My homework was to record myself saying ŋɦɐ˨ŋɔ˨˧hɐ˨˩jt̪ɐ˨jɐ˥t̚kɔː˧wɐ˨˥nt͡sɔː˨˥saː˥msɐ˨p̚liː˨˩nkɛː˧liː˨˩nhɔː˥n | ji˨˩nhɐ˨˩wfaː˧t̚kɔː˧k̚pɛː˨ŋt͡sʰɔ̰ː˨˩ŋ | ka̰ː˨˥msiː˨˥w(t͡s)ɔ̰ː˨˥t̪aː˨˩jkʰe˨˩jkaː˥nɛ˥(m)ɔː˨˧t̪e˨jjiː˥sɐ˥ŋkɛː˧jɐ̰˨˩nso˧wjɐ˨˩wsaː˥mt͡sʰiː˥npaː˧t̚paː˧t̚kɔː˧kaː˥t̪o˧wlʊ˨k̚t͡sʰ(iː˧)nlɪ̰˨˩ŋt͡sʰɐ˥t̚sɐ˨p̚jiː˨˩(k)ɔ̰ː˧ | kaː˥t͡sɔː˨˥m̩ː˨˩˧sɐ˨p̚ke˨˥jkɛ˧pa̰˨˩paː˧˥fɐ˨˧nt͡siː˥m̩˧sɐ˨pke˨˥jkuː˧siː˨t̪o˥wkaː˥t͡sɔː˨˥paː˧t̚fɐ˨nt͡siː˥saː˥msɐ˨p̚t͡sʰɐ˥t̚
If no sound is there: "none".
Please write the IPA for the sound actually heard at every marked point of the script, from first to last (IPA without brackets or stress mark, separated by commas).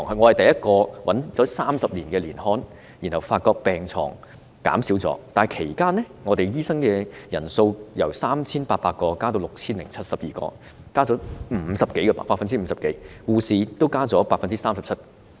t͡s, ŋ, iː˥, k